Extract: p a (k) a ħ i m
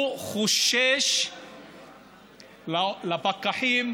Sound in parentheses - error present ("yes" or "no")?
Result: no